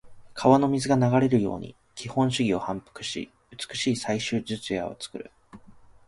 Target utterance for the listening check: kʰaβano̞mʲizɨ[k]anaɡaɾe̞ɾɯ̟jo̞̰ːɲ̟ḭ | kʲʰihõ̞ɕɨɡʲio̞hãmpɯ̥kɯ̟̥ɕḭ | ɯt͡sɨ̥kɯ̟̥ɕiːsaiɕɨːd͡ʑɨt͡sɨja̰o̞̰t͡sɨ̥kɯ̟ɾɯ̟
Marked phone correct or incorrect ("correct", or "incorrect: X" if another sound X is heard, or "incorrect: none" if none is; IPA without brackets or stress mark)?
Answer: incorrect: ɡ